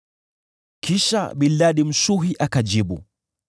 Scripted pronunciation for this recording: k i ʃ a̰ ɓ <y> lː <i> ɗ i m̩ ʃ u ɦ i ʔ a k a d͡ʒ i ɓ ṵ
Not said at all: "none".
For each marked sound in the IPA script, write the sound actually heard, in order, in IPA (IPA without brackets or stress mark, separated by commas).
i, a